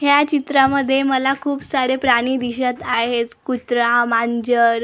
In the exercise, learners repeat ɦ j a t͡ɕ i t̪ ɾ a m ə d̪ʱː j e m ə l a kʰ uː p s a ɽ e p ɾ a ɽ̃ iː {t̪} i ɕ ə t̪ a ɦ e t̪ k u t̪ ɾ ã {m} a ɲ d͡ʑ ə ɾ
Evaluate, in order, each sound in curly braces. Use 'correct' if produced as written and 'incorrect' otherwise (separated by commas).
incorrect, correct